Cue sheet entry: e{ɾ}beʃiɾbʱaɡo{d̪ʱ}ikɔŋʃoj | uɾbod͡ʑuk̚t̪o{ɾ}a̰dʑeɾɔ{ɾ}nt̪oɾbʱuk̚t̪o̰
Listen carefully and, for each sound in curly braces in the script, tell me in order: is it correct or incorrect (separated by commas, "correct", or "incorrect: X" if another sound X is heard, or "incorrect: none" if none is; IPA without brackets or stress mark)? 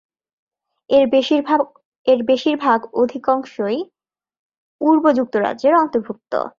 correct, correct, correct, incorrect: none